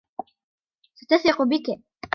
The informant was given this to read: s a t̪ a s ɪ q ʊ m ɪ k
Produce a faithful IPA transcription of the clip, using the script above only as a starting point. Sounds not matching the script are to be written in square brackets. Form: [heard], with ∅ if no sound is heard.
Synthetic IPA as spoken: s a t̪ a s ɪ q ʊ [b] ɪ k